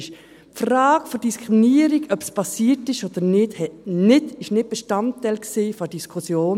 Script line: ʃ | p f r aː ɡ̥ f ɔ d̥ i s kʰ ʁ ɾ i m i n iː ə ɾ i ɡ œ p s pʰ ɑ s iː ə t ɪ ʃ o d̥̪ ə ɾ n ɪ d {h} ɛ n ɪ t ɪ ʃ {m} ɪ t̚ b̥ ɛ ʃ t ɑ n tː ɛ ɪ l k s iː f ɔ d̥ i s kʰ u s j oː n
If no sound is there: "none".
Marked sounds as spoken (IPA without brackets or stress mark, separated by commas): h, n